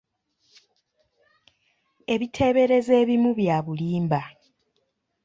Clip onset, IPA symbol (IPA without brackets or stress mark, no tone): e̞